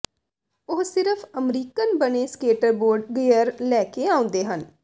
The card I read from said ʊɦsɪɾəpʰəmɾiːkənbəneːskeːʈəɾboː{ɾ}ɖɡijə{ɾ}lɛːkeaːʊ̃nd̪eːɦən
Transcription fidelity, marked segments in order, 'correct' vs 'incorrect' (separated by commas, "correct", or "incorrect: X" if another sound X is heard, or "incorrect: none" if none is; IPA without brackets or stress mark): correct, correct